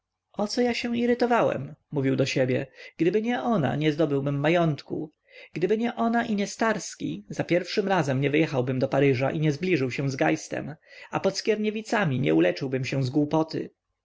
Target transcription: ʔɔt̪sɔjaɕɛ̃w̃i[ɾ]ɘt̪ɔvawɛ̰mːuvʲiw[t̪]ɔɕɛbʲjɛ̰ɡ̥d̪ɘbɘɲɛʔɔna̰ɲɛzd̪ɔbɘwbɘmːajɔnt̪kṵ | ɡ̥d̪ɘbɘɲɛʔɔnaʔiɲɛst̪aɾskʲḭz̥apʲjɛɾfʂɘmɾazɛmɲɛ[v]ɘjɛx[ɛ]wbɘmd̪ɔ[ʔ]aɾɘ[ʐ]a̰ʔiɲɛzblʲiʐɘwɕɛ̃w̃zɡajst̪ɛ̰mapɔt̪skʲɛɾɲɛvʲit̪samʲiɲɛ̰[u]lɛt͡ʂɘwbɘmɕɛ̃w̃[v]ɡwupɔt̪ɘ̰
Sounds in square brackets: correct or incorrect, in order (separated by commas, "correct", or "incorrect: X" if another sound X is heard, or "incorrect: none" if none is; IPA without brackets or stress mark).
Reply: correct, incorrect: d̪, correct, incorrect: a, incorrect: p, correct, correct, incorrect: z